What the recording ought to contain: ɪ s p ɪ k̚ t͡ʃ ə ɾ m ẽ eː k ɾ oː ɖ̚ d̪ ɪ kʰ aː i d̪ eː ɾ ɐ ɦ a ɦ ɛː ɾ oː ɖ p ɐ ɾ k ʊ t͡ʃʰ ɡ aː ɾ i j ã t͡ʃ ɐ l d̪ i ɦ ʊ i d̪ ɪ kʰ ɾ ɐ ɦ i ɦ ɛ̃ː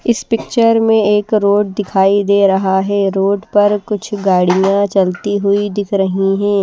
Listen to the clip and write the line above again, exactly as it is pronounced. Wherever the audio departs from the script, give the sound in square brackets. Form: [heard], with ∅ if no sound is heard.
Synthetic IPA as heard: ɪ s p ɪ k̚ t͡ʃ ə ɾ m ẽ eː k ɾ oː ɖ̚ d̪ ɪ kʰ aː i d̪ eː ɾ ɐ ɦ a ɦ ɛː ɾ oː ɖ p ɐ ɾ k ʊ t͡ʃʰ ɡ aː [ɽ] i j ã t͡ʃ ɐ l [t̪] i ɦ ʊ i d̪ ɪ kʰ ɾ ɐ ɦ i ɦ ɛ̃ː